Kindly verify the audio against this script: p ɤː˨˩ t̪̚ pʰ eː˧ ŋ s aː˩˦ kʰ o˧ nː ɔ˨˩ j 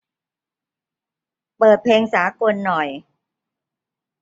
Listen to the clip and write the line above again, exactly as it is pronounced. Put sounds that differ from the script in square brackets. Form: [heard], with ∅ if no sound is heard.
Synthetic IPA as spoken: p ɤː˨˩ t̪̚ pʰ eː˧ ŋ s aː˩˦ [k] o˧ nː ɔ˨˩ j